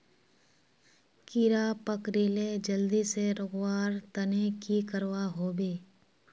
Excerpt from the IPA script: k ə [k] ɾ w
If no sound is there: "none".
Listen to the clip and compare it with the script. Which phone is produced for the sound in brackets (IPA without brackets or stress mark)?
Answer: none